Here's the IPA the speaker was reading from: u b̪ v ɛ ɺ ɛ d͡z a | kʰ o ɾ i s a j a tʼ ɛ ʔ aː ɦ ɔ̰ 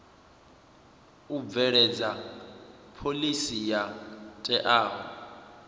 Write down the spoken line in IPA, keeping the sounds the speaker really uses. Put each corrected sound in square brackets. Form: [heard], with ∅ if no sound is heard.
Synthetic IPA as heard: u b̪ v ɛ ɺ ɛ d͡z a | [pʰ] o [l] i s [i] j a tʼ ɛ ʔ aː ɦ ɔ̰